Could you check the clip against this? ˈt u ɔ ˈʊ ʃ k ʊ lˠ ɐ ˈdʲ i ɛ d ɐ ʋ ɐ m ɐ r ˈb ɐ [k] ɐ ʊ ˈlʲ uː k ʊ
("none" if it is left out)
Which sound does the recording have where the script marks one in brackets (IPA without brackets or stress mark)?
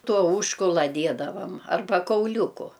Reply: k